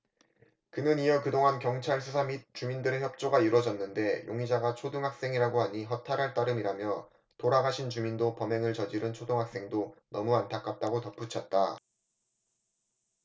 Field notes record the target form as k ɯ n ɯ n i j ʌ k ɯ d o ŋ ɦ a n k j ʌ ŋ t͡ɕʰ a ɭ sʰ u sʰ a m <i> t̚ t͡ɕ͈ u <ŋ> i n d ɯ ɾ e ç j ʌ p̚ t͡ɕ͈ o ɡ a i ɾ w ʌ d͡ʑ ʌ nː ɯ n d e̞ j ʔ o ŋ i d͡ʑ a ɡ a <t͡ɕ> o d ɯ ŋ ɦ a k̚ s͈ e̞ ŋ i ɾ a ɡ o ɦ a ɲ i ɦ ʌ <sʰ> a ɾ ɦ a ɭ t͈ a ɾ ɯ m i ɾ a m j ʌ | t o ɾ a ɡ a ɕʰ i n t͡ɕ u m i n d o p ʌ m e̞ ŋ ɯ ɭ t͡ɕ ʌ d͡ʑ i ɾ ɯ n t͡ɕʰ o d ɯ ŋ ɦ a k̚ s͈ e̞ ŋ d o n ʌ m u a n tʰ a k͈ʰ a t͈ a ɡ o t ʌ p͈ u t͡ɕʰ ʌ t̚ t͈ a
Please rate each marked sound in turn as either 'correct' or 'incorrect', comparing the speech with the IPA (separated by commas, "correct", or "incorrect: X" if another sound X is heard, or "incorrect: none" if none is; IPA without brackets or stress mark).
correct, incorrect: m, incorrect: t͡ɕʰ, incorrect: tʰ